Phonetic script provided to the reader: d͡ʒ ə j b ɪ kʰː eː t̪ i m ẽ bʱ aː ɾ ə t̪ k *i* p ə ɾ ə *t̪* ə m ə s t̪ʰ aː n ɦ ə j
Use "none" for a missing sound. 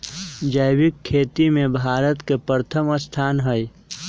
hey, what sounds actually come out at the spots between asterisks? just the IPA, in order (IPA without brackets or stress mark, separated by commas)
e, t̪ʰ